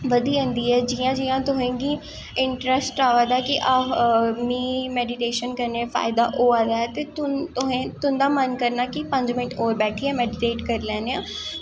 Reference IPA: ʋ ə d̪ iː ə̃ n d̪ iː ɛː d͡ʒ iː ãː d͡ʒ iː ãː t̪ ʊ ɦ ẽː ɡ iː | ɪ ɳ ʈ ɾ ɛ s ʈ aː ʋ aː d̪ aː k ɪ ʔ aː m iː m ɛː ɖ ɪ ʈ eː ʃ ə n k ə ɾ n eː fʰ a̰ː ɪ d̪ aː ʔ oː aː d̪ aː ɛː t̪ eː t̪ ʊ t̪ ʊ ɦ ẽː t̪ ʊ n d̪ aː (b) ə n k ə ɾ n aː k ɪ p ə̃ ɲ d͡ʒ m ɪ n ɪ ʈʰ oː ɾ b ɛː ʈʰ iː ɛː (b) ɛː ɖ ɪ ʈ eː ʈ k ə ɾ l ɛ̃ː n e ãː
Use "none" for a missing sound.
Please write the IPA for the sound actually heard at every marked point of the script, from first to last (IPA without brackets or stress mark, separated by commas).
m, m